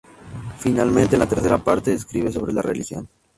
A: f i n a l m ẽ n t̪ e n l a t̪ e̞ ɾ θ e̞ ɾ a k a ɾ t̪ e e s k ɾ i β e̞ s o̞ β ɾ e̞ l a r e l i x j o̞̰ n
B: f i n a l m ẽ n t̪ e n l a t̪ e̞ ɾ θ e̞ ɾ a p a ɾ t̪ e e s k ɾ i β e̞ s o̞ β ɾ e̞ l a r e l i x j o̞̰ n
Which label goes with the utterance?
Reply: B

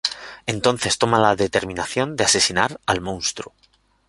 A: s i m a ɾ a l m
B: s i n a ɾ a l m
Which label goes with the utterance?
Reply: B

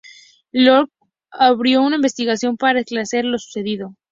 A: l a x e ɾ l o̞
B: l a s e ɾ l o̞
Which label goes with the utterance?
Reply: B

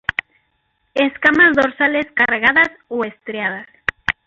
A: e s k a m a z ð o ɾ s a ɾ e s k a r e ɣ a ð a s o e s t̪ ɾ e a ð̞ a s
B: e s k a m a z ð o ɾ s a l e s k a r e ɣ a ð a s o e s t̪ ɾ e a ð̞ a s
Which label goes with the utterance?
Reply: B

